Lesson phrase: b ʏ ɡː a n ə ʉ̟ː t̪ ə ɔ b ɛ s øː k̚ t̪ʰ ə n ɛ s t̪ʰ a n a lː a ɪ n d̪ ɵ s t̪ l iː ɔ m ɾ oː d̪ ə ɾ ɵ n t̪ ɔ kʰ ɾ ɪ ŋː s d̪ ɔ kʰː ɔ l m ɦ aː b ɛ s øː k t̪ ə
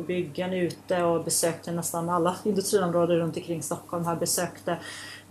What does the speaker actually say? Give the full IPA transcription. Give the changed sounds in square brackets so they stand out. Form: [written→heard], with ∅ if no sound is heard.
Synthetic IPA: b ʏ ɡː a n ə ʉ̟ː t̪ ə ɔ b ɛ s øː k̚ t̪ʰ ə n ɛ s [t̪ʰ→t̪] a n a lː a ɪ n d̪ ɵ s t̪ [l→ɾ] iː ɔ m ɾ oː d̪ ə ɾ ɵ n t̪ ɔ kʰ ɾ ɪ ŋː s [d̪→t̪] ɔ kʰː ɔ l m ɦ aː b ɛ s øː k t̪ ə